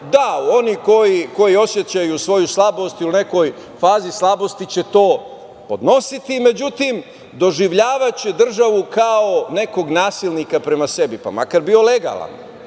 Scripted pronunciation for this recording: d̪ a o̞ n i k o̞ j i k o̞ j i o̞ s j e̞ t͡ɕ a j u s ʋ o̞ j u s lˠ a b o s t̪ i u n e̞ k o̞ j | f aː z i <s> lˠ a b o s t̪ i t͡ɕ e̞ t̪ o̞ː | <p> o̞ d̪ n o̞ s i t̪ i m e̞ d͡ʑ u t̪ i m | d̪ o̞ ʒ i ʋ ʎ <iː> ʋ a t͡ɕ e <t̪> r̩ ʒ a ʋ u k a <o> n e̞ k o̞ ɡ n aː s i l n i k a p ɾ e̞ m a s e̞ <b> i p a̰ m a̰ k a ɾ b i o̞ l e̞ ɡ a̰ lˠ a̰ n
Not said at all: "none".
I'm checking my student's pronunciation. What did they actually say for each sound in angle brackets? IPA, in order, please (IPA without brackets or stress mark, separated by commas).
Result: s, p, aː, d̪, o, b